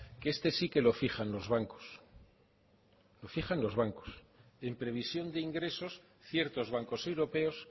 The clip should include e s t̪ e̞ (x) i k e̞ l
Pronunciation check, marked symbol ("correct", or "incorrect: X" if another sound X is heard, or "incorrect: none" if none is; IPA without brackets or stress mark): incorrect: s